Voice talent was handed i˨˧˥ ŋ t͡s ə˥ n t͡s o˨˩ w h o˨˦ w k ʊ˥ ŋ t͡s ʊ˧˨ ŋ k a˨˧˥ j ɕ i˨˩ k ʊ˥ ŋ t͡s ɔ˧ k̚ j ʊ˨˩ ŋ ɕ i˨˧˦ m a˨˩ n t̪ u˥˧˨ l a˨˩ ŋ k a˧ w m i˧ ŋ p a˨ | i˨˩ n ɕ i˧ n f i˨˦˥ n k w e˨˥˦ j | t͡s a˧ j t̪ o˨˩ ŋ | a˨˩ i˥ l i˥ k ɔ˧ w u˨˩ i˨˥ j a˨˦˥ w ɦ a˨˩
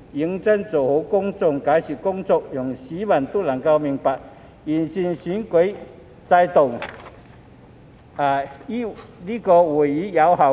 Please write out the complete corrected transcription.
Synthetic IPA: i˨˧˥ ŋ t͡s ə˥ n t͡s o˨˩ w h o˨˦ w k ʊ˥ ŋ t͡s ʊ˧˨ ŋ k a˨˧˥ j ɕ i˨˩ k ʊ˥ ŋ t͡s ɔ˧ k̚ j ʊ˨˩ ŋ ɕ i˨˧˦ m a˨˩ n t̪ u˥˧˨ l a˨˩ ŋ k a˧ w m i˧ ŋ p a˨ | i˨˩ n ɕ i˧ n ɕ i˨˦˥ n k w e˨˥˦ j | t͡s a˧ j t̪ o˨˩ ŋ | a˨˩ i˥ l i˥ k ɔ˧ w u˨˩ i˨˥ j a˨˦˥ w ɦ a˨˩